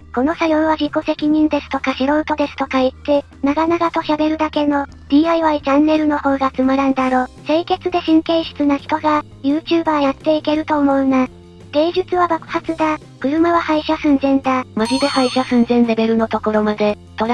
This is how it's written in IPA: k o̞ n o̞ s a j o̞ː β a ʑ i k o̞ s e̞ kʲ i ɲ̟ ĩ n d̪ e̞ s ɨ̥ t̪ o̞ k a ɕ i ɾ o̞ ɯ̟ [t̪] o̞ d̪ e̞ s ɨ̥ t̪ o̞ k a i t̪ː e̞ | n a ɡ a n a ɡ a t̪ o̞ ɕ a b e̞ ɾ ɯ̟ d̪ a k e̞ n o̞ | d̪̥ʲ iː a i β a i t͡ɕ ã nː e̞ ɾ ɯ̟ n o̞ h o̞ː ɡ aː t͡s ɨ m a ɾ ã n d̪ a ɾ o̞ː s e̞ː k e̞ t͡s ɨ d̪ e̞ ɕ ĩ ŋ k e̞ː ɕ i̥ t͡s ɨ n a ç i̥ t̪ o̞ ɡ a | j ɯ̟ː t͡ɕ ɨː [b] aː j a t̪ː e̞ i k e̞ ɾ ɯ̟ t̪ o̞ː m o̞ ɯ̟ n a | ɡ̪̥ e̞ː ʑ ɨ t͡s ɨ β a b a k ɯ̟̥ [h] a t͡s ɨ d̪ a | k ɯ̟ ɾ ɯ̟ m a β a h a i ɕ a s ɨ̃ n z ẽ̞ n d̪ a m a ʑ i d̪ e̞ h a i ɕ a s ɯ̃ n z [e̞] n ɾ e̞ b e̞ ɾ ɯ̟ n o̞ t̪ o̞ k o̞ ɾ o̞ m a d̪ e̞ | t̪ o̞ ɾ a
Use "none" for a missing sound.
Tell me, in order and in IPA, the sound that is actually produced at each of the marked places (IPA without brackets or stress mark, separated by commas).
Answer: t̪, b, h, ẽ̞